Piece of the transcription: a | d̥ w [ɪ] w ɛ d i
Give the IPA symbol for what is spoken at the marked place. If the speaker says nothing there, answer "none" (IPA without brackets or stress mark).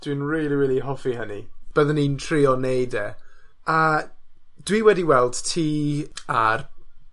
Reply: i